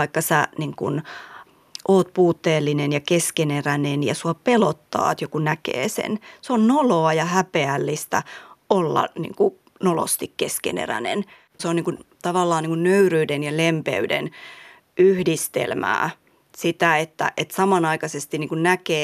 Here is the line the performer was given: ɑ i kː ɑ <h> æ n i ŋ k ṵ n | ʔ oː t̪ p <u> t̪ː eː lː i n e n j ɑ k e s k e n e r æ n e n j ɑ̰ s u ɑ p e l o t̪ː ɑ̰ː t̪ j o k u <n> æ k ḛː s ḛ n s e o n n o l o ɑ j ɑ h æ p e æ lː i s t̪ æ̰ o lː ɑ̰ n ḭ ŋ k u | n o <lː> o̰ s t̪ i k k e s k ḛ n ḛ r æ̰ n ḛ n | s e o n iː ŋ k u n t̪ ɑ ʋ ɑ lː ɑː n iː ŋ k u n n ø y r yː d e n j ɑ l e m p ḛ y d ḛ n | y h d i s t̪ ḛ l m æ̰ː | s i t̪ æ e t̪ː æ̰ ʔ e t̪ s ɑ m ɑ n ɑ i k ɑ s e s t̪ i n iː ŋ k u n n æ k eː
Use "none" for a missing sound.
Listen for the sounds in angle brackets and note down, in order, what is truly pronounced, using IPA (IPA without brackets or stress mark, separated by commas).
s, uː, n, l